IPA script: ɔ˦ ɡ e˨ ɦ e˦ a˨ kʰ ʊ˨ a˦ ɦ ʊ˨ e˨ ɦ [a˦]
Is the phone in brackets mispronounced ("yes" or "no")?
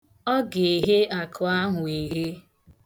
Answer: yes